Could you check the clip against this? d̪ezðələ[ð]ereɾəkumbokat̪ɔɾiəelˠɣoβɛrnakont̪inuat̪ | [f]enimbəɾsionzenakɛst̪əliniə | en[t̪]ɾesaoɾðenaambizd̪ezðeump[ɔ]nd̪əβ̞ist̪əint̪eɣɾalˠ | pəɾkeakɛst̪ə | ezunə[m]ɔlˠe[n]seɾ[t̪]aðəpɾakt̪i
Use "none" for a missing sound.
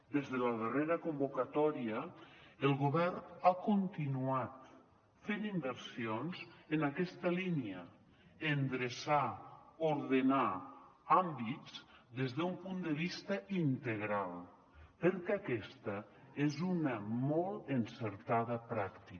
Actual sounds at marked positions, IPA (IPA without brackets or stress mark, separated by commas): ð, f, d̪, u, m, n, t̪